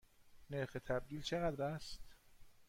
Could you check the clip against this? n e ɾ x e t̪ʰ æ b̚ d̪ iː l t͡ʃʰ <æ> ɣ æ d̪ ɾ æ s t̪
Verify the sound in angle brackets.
incorrect: e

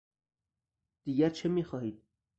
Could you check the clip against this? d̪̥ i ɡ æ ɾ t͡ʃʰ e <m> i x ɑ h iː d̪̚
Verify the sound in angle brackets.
correct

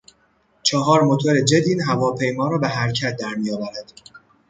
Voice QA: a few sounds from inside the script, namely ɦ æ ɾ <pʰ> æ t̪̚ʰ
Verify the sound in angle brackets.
incorrect: cʰ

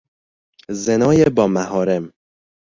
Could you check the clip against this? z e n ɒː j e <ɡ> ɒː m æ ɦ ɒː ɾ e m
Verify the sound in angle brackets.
incorrect: b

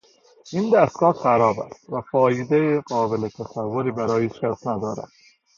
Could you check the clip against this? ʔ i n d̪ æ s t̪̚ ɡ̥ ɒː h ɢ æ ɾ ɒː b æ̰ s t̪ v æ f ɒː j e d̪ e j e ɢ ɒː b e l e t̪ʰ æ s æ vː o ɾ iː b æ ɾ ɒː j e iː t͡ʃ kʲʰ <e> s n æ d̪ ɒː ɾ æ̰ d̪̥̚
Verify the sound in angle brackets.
incorrect: æ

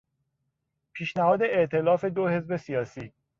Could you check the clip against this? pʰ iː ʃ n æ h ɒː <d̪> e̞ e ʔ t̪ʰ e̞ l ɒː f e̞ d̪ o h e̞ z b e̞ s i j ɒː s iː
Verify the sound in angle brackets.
correct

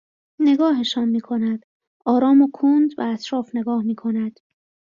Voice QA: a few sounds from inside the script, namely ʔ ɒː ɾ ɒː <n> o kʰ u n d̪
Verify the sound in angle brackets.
incorrect: m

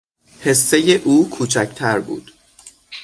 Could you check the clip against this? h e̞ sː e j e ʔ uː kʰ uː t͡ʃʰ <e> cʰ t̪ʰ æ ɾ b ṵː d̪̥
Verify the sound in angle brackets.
incorrect: æ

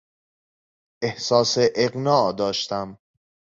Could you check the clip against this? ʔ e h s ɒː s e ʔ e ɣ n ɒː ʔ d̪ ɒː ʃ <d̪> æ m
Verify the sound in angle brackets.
incorrect: t̪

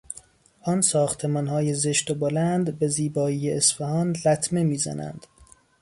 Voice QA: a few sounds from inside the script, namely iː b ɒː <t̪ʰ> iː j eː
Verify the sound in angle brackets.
incorrect: none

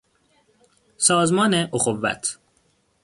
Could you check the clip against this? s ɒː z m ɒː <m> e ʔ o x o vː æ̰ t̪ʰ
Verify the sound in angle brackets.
incorrect: n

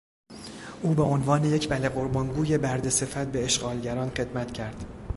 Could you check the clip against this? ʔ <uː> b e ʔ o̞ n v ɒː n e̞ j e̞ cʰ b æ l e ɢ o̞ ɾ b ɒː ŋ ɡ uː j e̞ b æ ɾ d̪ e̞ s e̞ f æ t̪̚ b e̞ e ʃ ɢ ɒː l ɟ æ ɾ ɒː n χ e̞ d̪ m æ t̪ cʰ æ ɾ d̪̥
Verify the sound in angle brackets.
correct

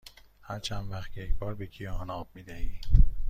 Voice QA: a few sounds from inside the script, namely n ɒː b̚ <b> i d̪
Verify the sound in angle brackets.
incorrect: m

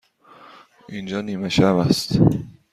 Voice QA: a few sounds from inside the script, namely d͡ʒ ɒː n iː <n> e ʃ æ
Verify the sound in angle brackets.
incorrect: m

